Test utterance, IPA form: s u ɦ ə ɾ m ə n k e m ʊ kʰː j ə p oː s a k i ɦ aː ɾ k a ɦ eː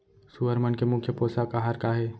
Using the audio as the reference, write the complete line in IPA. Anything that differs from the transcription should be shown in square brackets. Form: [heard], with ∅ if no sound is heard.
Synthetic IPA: s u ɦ ə ɾ m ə n k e m ʊ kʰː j ə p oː s a k [a] ɦ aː ɾ k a ɦ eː